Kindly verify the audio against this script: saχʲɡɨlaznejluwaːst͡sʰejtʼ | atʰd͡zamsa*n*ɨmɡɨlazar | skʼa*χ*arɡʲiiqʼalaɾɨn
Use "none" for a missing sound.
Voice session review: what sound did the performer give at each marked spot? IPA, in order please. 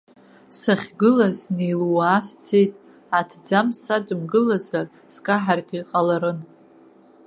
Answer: d, ħ

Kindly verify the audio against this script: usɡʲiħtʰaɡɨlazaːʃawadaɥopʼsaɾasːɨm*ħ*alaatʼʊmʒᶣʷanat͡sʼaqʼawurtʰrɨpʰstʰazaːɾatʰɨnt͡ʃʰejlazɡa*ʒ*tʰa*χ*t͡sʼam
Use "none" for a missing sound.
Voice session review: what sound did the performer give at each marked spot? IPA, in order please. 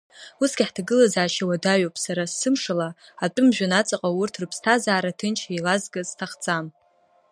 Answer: ʂ, z, χ

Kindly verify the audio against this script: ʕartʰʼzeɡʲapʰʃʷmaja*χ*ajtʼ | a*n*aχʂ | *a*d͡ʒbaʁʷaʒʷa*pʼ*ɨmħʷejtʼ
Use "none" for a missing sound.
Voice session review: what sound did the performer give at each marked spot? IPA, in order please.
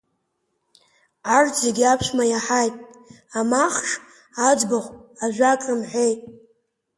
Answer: ħ, m, a, kʼ

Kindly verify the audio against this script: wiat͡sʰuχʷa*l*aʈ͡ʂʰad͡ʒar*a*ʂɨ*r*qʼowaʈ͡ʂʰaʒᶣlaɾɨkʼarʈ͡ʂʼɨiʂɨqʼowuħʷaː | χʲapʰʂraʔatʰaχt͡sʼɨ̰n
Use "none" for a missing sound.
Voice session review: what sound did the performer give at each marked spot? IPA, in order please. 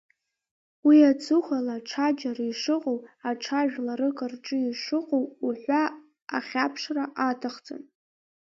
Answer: l, i, none

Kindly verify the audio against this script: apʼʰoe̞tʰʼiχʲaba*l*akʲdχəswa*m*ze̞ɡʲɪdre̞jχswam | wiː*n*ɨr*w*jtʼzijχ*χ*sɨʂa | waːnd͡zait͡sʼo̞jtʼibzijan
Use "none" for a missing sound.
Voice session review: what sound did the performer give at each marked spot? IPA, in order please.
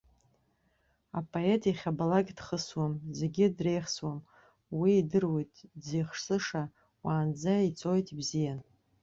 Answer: l, m, d, w, ʂ

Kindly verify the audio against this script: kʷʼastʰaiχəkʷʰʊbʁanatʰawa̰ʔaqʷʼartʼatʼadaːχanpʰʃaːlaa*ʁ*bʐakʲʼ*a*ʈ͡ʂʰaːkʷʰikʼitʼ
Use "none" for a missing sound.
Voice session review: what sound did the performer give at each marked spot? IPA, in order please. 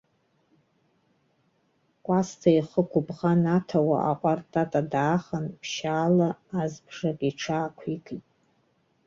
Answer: z, i

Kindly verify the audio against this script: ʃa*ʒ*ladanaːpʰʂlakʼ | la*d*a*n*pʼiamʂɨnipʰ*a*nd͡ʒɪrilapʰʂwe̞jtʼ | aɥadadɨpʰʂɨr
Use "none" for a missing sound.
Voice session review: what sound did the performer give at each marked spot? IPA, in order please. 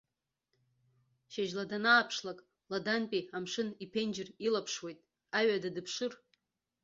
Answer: ʒ, d, n, e

